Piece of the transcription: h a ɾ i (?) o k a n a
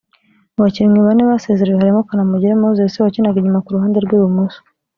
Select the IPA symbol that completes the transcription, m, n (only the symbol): m